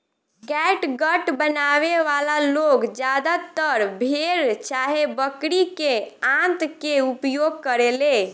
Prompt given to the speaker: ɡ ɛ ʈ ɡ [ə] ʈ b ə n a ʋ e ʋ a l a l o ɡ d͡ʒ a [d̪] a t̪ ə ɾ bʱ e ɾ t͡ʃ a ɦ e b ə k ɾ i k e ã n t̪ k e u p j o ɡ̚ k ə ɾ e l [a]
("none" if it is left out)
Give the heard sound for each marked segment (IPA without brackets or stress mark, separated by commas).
ə, d̪, e